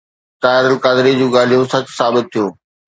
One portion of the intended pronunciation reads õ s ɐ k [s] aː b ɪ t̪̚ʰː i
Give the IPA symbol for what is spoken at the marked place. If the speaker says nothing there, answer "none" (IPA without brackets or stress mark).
s